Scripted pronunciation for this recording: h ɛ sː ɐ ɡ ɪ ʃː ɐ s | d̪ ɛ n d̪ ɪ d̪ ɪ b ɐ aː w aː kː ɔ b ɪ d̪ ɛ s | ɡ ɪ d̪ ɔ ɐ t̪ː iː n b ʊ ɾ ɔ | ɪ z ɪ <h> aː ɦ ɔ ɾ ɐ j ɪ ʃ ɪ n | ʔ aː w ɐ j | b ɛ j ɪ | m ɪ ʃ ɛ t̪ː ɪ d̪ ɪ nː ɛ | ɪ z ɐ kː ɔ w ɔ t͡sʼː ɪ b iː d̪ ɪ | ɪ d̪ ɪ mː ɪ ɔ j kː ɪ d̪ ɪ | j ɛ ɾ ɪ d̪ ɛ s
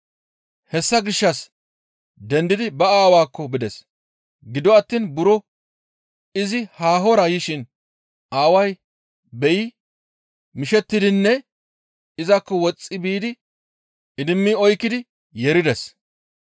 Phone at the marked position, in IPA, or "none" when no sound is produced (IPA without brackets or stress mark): h